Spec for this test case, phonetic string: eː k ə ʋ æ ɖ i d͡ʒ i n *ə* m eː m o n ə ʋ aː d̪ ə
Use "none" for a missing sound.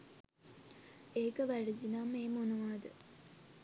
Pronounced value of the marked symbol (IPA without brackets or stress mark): a